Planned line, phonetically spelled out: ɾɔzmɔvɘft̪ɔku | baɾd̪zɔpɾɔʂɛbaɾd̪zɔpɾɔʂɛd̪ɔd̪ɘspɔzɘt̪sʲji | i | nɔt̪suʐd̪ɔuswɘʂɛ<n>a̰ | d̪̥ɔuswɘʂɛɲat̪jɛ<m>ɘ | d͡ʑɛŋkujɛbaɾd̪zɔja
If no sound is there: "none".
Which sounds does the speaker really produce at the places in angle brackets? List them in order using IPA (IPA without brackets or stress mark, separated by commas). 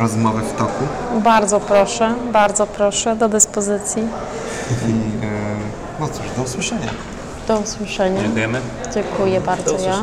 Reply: ɲ, m